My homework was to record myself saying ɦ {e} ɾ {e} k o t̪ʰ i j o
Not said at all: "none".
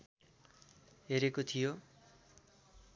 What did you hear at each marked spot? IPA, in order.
e, e

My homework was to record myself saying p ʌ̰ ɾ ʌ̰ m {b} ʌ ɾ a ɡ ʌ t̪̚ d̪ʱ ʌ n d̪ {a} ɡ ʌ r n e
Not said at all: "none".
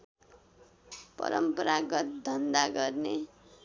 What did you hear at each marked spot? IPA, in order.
p, a

